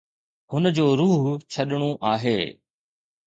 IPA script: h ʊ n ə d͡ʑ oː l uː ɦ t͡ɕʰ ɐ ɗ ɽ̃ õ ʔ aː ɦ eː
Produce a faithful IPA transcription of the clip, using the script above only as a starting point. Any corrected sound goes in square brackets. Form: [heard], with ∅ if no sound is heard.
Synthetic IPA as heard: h ʊ n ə d͡ʑ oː [ɾ] uː ɦ t͡ɕʰ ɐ ɗ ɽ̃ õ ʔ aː ɦ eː